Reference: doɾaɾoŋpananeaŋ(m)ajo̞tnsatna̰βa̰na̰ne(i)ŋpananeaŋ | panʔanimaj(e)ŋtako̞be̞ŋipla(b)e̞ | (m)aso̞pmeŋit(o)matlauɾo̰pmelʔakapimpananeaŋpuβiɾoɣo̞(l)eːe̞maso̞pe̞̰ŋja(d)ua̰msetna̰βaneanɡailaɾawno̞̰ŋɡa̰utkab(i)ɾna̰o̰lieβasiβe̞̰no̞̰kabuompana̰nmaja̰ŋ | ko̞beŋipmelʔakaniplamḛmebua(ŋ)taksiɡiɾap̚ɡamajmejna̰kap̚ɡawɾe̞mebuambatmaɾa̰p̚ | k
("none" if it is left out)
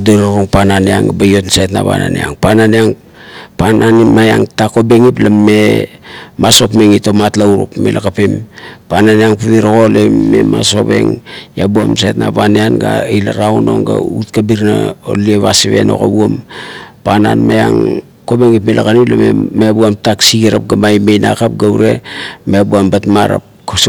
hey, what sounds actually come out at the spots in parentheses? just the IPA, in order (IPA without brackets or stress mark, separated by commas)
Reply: b, a, a, m, m, o, l, b, i, m